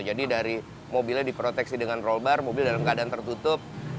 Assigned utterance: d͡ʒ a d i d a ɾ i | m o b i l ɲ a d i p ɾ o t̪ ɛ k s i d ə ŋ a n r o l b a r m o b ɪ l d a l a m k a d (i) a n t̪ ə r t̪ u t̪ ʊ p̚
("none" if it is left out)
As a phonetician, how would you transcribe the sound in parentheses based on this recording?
a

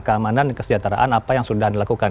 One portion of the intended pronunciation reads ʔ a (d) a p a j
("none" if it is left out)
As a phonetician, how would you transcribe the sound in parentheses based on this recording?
n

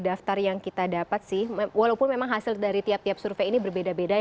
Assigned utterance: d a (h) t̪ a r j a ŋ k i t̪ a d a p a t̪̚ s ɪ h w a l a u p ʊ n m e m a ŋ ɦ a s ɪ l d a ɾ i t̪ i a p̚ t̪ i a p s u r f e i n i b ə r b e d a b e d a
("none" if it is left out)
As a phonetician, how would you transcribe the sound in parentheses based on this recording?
f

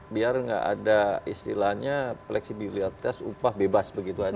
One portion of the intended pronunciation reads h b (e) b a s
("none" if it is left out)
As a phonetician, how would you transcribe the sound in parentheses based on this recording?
e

